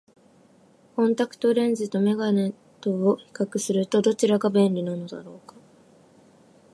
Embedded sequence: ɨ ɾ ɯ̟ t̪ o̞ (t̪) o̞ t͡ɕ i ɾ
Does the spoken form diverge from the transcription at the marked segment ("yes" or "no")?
yes